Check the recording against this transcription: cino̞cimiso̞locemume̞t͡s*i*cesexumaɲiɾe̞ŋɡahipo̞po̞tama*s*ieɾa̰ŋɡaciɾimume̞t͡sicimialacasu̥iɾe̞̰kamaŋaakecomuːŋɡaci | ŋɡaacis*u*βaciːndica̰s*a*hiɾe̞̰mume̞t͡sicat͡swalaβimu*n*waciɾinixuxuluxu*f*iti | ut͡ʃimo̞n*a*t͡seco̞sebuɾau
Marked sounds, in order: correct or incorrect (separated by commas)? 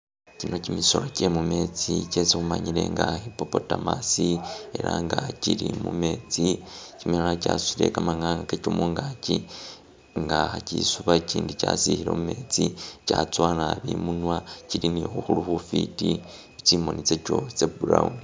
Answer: correct, correct, correct, incorrect, correct, correct, incorrect